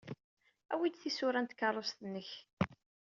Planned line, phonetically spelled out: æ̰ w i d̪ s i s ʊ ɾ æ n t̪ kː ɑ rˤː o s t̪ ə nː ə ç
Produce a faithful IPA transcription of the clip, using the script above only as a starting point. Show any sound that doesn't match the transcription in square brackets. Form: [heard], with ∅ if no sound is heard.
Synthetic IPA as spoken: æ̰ w i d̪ [θ] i s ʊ ɾ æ n t̪ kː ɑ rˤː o s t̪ ə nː ə ç